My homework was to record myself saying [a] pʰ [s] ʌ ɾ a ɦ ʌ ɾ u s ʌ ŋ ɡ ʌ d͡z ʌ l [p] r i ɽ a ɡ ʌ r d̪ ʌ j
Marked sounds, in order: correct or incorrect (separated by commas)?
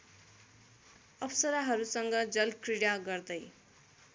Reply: incorrect, correct, incorrect